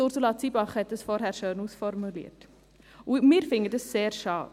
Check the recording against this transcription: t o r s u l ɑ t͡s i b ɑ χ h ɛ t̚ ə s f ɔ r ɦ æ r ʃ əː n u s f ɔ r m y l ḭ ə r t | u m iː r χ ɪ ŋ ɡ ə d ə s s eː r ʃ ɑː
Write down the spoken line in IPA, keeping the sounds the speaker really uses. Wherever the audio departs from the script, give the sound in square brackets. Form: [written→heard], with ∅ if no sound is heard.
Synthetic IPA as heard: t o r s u l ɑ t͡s i b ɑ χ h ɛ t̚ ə s f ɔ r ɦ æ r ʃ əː n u s f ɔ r m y l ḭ ə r t | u m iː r [χ→f] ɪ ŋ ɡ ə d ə s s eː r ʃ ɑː